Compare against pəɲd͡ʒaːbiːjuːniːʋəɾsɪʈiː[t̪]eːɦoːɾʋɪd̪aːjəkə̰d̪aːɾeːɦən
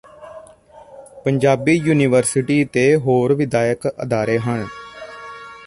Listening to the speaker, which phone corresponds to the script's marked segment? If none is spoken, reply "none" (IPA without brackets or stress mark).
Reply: t̪